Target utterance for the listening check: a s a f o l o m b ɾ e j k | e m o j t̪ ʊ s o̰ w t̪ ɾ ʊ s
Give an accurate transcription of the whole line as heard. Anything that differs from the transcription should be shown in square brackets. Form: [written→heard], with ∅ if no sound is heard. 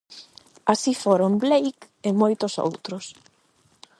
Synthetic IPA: a s [a→i] f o [l→ɾ] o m b [ɾ→l] e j k | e m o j t̪ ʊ s o̰ w t̪ ɾ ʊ s